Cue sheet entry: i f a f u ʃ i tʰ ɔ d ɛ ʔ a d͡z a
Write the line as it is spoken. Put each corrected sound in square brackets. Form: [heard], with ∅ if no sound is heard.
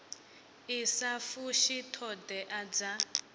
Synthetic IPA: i [s] a f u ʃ i tʰ ɔ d ɛ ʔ a d͡z a